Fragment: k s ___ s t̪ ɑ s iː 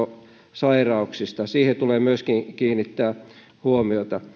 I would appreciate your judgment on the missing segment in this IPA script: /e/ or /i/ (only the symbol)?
i